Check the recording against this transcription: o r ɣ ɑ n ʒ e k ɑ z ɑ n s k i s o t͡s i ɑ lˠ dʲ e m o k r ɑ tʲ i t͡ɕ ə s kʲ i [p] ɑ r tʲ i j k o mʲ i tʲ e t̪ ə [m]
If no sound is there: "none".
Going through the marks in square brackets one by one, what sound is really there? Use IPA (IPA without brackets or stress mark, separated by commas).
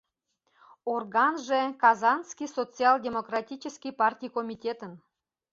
p, n